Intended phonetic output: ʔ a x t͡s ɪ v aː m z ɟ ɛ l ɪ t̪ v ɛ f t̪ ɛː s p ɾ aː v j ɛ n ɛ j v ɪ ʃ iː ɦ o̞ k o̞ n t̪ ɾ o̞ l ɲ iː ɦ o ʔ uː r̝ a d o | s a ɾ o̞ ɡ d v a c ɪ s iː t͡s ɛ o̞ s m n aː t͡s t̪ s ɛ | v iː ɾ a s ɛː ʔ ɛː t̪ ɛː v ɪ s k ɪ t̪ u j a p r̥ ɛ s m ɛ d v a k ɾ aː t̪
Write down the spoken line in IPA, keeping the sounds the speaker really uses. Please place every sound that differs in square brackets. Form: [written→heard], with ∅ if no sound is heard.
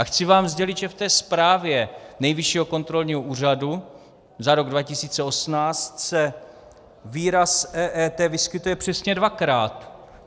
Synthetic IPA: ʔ a x t͡s ɪ v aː m z ɟ ɛ l ɪ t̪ [v→ʒ] ɛ f t̪ ɛː s p ɾ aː v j ɛ n ɛ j v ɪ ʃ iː ɦ o̞ k o̞ n t̪ ɾ o̞ l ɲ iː ɦ o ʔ uː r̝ a d [o→u] | [s→z] a ɾ o̞ ɡ d v a c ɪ s iː t͡s ɛ o̞ s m n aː t͡s t̪ s ɛ | v iː ɾ a s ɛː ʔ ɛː t̪ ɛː v ɪ s k ɪ t̪ u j [a→ɛ] p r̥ ɛ s [m→ɲ] ɛ d v a k ɾ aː t̪